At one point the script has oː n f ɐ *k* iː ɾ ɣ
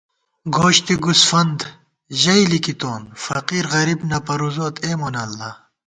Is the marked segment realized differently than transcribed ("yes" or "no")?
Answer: yes